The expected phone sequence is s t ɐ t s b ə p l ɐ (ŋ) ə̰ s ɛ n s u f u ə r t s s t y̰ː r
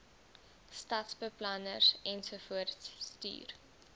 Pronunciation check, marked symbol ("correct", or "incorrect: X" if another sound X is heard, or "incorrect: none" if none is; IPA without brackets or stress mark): incorrect: n